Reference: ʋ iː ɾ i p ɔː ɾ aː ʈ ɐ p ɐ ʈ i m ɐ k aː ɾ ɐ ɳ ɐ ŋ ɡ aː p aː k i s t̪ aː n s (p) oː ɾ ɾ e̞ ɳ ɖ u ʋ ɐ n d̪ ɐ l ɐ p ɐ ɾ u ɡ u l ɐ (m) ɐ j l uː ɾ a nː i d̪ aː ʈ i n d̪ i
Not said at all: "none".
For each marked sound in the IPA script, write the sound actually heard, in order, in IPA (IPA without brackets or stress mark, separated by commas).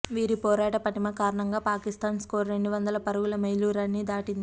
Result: k, m